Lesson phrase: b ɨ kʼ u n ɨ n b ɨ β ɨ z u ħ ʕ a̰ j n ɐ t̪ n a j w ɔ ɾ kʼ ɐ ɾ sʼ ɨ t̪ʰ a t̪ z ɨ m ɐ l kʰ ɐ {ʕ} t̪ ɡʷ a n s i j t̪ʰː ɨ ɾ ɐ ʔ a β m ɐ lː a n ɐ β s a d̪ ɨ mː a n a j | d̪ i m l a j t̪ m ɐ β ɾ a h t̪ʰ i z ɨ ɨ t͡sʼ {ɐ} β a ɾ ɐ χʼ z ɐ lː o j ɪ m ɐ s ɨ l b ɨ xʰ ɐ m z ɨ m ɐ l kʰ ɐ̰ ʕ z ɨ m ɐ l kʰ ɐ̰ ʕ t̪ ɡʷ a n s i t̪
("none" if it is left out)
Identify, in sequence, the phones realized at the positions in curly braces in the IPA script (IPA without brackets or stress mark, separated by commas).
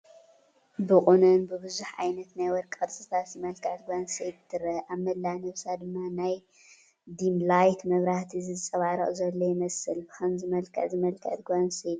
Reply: ʕ, ɐ